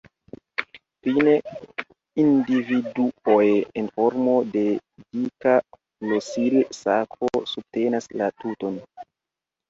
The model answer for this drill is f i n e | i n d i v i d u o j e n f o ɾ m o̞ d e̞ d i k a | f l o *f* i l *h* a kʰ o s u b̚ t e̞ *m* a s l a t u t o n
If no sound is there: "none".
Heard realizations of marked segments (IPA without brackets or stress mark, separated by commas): s, s, n